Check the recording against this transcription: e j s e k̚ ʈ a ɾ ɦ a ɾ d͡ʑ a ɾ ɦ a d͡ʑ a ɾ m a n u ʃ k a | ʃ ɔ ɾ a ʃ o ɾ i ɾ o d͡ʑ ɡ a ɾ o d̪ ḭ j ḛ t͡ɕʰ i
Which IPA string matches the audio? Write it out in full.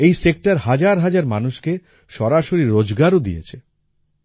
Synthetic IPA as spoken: e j s e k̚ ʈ a ɾ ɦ a d͡ʑ a ɾ ɦ a d͡ʑ a ɾ m a n u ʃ k e | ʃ ɔ ɾ a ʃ o ɾ i ɾ o d͡ʑ ɡ a ɾ o d̪ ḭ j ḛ t͡ɕʰ e